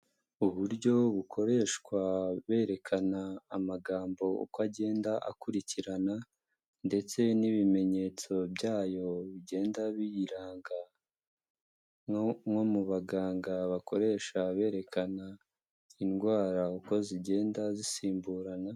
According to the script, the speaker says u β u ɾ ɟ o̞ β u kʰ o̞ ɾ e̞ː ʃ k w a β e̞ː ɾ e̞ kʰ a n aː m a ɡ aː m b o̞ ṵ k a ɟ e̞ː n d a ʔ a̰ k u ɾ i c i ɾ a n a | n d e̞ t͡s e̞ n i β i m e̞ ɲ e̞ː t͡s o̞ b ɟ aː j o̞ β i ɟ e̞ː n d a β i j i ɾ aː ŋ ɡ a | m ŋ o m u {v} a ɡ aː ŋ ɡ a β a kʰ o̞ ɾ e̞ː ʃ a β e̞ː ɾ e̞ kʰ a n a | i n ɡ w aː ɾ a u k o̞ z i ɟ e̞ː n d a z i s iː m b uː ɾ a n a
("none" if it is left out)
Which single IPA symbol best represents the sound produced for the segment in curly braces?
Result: β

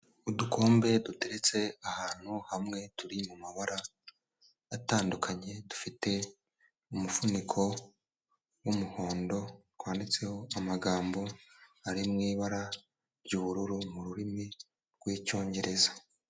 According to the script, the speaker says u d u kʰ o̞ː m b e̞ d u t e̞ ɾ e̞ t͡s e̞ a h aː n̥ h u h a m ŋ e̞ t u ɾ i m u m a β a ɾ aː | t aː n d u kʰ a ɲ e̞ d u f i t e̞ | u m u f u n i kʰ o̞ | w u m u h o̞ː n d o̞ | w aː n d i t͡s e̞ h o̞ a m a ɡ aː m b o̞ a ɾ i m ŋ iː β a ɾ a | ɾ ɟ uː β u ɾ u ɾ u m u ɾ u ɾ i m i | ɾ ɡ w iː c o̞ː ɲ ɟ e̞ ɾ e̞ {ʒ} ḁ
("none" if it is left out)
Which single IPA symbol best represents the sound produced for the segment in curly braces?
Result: z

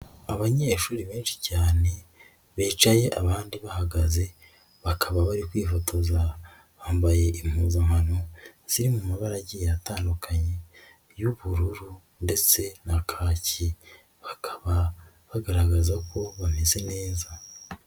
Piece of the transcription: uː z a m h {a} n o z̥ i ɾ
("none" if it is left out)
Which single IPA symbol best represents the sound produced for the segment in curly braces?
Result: a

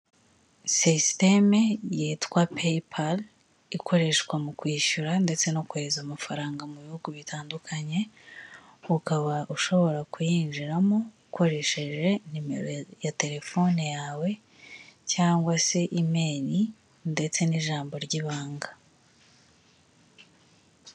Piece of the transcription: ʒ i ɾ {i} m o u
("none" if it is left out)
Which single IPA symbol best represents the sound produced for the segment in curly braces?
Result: a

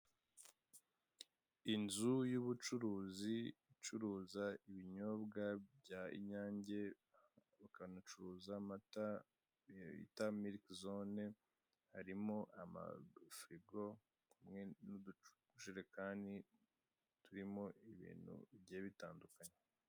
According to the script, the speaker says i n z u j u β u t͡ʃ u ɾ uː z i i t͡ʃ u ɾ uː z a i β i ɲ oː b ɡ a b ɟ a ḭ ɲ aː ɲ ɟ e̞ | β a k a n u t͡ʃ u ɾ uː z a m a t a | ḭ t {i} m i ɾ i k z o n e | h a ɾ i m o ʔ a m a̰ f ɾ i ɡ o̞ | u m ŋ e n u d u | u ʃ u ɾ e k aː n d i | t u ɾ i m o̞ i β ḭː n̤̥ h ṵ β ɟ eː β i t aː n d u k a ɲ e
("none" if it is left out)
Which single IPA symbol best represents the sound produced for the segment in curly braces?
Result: a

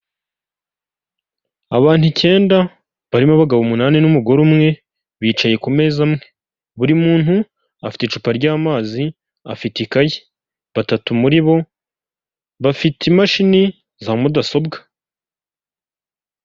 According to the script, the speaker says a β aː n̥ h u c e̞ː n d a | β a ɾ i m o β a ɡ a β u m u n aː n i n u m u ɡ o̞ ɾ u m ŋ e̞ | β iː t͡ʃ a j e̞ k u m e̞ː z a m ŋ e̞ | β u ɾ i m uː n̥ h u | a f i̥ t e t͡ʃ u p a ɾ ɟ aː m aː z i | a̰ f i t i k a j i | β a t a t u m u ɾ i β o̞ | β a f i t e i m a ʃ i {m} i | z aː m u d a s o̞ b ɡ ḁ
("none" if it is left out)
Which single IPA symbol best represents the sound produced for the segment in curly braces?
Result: n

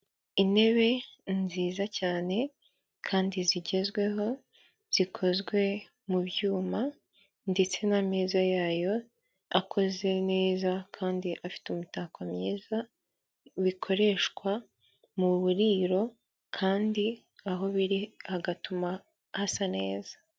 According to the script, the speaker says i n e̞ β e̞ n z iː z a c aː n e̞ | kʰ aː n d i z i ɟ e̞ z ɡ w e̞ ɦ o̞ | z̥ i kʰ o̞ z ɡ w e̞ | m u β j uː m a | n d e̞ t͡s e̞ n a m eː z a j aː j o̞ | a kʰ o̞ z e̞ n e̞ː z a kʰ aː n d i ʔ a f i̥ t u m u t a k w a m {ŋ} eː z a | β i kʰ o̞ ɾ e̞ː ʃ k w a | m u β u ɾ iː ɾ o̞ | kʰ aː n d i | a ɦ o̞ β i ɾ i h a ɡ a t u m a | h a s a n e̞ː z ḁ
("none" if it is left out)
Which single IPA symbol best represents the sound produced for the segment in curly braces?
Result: ɲ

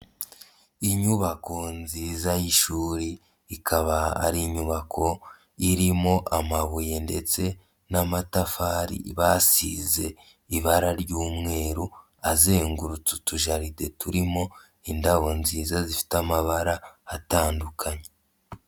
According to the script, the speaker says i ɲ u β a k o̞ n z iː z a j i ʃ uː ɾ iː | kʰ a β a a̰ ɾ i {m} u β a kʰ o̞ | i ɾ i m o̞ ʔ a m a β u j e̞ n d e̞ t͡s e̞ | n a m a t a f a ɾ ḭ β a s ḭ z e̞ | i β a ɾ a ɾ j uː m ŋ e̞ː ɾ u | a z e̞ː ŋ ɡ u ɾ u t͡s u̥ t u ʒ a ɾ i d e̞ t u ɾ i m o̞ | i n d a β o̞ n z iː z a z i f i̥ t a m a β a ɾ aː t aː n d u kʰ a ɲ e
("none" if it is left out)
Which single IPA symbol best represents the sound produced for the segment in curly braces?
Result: ɲ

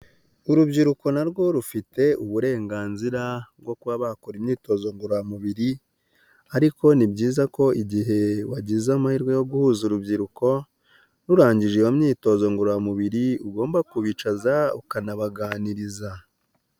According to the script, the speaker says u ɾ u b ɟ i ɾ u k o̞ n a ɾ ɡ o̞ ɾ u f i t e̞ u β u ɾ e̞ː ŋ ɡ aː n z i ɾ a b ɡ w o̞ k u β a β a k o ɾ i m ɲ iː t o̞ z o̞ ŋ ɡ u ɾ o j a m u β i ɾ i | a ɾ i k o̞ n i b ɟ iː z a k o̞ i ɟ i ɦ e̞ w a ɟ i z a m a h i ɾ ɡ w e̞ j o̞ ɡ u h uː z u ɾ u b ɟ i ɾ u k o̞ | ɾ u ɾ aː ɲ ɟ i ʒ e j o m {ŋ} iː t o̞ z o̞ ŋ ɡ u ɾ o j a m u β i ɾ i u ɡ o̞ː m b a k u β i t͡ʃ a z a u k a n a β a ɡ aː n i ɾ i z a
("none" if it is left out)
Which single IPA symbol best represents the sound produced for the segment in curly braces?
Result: ɲ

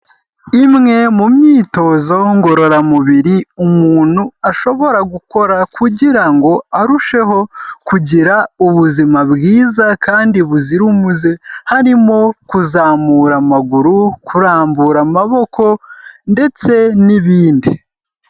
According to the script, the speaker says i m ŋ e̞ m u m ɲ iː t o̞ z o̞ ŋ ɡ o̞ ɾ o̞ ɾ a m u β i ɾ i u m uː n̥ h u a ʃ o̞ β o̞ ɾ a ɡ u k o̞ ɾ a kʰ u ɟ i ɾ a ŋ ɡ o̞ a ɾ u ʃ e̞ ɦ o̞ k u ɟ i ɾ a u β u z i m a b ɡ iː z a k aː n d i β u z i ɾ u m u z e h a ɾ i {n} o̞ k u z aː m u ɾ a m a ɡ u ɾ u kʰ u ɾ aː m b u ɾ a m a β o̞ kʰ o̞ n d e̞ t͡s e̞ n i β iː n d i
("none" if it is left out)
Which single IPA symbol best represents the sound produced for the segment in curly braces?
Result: m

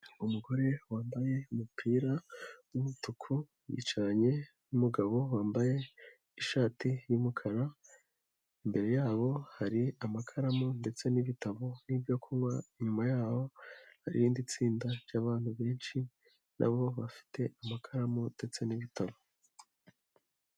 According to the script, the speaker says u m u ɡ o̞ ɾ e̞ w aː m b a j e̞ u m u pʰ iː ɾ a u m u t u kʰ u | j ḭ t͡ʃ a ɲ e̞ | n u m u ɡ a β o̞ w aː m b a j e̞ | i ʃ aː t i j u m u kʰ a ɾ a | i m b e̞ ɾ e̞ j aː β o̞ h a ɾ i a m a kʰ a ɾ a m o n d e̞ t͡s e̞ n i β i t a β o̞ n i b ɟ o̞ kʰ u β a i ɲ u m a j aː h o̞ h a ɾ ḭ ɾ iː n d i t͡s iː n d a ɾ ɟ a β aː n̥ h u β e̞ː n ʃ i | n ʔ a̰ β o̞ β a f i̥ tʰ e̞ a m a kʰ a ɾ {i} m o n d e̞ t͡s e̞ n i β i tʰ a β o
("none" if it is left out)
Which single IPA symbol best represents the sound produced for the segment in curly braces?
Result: a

